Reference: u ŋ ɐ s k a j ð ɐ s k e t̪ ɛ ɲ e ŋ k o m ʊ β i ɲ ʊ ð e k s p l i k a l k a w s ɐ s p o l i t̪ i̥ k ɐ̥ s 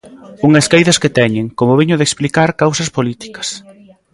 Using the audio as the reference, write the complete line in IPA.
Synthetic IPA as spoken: u ŋ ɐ s k a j ð ɐ s k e t̪ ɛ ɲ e ŋ k o m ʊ β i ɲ ʊ ð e k s p l i k a ɾ k a w s ɐ s p o l i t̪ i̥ k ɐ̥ s